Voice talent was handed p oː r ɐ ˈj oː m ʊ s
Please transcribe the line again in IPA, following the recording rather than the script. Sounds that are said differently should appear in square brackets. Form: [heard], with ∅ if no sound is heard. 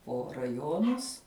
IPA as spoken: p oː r ɐ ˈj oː [n] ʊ s